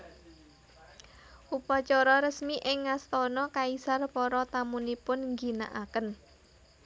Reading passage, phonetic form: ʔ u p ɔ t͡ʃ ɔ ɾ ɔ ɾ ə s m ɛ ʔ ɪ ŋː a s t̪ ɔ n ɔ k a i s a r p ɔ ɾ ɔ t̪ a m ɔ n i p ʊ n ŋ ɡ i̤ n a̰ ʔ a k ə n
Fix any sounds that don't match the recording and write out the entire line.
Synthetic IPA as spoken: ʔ u p ɔ t͡ʃ ɔ ɾ ɔ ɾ ə s m i ʔ ɪ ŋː a s t̪ ɔ n ɔ k a i s a r p ɔ ɾ ɔ t̪ a m u n i p ʊ n ŋ ɡ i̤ n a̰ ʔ a k ə n